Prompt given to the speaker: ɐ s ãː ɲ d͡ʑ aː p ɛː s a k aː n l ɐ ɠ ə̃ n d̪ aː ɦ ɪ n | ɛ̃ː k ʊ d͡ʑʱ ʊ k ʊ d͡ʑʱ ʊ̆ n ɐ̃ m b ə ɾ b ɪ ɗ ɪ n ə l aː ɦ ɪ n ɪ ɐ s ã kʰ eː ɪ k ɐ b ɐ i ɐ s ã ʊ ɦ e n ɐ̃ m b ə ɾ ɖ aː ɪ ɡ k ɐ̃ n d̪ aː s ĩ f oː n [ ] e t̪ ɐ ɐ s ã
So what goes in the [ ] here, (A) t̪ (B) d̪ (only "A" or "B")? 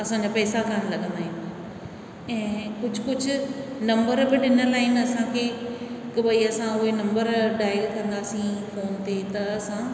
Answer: A